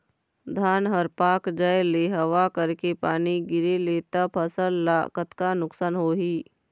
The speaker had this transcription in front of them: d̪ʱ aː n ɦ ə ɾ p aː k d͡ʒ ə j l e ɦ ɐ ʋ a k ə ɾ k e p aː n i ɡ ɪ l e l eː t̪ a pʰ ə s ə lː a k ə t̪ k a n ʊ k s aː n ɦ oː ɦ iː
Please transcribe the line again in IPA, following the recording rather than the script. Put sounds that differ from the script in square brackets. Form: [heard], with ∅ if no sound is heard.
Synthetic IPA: d̪ʱ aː n ɦ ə ɾ p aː k d͡ʒ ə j l e ɦ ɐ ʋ a k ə ɾ k e p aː n i ɡ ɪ [ɾ] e l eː t̪ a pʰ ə s ə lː a k ə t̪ k a n ʊ k s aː n ɦ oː ɦ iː